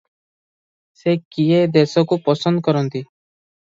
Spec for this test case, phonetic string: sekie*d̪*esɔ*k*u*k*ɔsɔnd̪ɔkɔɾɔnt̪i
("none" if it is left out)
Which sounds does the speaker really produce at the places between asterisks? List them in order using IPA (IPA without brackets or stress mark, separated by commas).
d̪, k, p